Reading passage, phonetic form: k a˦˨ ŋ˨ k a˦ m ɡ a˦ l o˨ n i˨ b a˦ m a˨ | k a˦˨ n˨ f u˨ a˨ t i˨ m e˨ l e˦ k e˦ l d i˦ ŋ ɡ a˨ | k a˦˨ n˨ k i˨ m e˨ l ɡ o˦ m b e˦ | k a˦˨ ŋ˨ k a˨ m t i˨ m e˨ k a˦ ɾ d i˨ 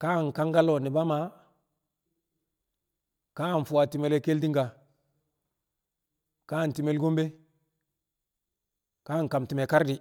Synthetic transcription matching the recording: k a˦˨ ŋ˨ k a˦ ŋ ɡ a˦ l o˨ n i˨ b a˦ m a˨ | k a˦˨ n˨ f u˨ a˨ t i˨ m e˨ l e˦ k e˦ l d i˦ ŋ ɡ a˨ | k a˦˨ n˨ t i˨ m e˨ l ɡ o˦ m b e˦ | k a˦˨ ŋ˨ k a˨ m t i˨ m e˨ k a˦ ɾ d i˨